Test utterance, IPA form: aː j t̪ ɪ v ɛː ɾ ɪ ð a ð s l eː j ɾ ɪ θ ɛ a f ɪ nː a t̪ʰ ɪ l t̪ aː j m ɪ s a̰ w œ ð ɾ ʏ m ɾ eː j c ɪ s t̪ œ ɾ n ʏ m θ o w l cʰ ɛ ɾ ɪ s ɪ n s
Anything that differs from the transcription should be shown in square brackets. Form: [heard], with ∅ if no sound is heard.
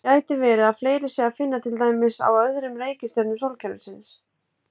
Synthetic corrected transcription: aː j t̪ ɪ v ɛː ɾ ɪ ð a ð [f] l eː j ɾ ɪ [s] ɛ a f ɪ nː a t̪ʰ ɪ l t̪ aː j m ɪ s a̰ w œ ð ɾ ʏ m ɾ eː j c ɪ s t̪ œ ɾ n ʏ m [s] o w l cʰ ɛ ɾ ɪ s ɪ n s